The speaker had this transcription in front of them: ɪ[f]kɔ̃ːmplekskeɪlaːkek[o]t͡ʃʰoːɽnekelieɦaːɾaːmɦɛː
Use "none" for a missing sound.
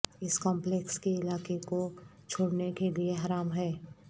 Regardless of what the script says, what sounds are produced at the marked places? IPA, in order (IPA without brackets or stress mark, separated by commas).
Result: s, o